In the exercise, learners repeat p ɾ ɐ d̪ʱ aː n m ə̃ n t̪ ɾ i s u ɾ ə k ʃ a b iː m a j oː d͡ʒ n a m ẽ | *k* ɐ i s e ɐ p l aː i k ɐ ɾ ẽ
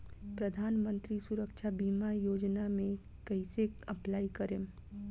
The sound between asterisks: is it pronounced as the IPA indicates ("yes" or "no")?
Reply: yes